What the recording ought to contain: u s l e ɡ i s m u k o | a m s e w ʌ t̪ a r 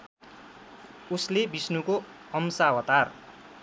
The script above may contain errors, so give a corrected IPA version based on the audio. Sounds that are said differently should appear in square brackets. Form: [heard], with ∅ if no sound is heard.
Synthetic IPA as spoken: u s l e [b] i s [n] u k o | [ʌ] m s [a] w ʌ t̪ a r